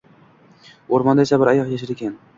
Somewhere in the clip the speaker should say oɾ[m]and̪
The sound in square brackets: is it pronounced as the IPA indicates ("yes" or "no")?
yes